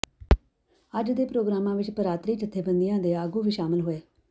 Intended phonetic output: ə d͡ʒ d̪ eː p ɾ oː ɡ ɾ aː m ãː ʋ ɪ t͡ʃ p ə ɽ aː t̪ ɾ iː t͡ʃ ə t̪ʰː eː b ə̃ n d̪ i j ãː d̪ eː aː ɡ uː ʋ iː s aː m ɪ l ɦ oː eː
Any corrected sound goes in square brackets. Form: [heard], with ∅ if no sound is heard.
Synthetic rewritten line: ə d͡ʒ d̪ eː p ɾ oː ɡ ɾ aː m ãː ʋ ɪ t͡ʃ p ə [ɾ] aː t̪ ɾ iː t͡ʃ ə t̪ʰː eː b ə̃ n d̪ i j ãː d̪ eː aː ɡ uː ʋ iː [ʃ] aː m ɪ l ɦ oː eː